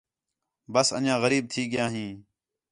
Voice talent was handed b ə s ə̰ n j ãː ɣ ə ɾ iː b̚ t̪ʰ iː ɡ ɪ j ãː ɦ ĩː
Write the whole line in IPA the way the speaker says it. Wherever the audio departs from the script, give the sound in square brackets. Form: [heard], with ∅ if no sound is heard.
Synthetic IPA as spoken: b ə s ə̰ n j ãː ɣ ə ɾ iː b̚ t̪ʰ iː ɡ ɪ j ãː ɦ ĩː